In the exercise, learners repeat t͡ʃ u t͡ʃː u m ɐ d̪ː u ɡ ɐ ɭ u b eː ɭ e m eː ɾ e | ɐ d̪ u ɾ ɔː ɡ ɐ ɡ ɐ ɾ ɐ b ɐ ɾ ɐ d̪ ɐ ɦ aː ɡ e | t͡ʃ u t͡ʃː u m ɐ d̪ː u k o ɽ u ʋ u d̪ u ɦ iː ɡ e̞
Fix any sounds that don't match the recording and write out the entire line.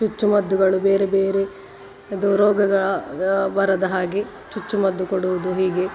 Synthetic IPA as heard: t͡ʃ u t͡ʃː u m ɐ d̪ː u ɡ ɐ ɭ u b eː ɾ e b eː ɾ e | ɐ d̪ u ɾ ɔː ɡ ɐ ɡ ɐ ɭ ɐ b ɐ ɾ ɐ d̪ ɐ ɦ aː ɡ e | t͡ʃ u t͡ʃː u m ɐ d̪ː u k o ɽ u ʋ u d̪ u ɦ iː ɡ e̞